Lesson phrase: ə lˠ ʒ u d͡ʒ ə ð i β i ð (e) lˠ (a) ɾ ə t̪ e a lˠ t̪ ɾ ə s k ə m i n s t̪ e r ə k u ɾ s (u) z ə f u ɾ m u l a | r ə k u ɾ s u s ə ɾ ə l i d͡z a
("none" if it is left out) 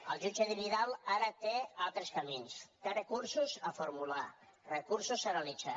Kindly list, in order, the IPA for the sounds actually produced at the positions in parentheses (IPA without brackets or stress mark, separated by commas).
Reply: a, a, u